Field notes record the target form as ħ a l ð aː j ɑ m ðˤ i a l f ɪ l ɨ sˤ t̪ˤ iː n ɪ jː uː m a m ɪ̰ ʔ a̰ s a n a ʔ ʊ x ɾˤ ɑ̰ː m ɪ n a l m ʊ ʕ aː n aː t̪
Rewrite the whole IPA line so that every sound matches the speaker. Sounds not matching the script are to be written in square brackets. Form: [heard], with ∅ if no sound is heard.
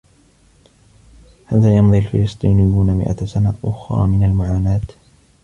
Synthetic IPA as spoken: [h] a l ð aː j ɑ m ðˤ i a l f ɪ l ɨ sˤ t̪ˤ iː n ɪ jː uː [n] a m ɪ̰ ʔ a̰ s a n a ʔ ʊ x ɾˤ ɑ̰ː m ɪ n a l m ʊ ʕ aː n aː t̪